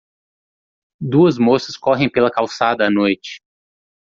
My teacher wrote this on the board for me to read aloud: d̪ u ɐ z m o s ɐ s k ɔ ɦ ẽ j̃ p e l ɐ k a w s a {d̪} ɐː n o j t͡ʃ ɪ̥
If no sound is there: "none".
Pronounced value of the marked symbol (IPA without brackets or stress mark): d̪